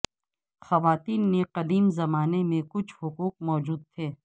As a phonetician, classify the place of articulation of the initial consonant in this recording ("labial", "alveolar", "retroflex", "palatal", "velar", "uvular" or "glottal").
velar